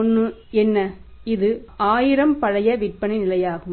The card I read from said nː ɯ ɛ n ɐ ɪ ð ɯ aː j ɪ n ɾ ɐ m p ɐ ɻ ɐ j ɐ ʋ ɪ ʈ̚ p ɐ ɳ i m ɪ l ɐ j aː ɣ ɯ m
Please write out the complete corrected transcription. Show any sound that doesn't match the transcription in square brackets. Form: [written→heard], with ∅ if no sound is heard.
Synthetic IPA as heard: nː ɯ ɛ [n→nː] ɐ ɪ ð ɯ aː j ɪ [n→∅] ɾ ɐ m p ɐ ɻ ɐ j ɐ ʋ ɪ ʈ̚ p ɐ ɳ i [m→n] ɪ l ɐ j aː ɣ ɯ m